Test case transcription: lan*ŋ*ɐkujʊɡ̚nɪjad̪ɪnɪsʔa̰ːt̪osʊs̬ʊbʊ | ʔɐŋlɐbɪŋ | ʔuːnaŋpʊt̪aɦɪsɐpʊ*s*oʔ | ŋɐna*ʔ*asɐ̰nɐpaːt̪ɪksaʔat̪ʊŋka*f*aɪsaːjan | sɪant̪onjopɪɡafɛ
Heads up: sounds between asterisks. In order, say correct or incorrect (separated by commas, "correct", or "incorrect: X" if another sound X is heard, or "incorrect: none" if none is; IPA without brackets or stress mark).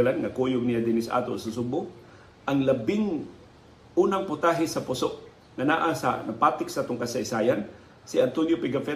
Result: correct, correct, correct, incorrect: s